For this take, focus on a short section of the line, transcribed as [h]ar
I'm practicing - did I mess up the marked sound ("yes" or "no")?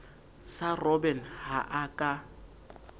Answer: yes